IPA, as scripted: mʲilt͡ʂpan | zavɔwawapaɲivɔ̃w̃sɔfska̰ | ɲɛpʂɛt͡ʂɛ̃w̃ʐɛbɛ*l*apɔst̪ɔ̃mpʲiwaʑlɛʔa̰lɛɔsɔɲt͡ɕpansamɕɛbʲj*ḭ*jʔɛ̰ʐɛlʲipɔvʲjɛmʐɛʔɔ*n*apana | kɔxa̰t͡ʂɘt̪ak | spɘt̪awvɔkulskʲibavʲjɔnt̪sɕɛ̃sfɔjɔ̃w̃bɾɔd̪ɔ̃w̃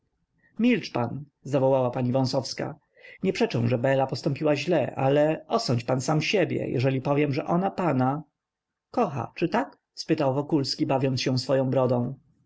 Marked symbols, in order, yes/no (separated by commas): yes, no, yes